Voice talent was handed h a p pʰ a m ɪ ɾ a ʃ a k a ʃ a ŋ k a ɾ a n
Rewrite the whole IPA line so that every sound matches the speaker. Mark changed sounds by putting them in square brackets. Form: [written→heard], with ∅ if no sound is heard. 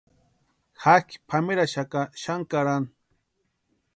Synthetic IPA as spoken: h a [p→k] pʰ a m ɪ ɾ a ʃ a k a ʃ a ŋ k a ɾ a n